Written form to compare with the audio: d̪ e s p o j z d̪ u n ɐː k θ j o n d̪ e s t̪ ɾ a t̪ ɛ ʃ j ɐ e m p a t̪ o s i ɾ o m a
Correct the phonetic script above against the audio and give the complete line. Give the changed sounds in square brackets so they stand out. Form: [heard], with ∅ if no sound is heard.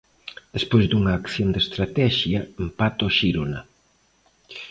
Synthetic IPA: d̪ e s p o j z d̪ u [ŋ] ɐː k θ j o n d̪ e s t̪ ɾ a t̪ ɛ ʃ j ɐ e m p a t̪ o [ʃ] i ɾ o [n] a